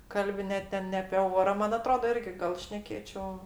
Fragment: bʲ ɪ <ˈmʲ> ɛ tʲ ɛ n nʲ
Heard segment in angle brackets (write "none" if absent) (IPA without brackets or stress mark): nʲ